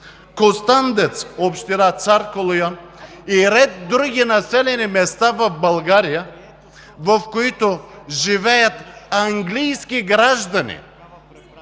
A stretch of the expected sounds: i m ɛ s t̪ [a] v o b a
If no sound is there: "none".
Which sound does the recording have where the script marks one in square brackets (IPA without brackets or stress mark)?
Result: a